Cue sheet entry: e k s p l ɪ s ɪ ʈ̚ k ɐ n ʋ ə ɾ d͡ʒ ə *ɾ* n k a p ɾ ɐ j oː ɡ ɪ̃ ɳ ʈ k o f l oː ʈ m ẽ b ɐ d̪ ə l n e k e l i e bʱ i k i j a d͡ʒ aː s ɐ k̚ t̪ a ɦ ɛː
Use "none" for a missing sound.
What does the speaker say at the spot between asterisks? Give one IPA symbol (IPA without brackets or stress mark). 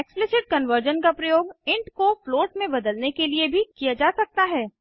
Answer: none